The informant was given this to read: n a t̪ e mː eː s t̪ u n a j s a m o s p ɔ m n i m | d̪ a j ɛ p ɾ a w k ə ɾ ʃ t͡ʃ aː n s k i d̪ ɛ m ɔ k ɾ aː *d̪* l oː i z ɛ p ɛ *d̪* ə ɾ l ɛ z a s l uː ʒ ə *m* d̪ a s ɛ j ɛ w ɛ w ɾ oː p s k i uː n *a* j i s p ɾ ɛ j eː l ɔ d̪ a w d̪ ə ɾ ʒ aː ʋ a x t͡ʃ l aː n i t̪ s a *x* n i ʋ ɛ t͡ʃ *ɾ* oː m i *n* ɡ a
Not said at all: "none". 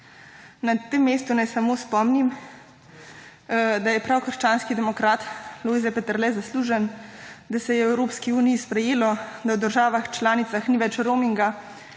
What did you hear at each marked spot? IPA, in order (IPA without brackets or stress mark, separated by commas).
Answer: t̪, t̪, n, i, x, ɾ, ŋ